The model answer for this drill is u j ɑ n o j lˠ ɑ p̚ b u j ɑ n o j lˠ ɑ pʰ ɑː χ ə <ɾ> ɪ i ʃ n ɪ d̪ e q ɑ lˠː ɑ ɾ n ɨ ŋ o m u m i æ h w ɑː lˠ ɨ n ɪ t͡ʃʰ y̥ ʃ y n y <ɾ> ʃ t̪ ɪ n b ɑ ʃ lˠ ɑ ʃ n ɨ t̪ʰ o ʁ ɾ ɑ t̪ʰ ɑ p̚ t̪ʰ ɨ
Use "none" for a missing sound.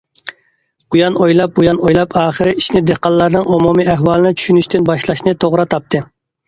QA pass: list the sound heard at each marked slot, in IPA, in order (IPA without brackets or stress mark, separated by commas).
ɾ, none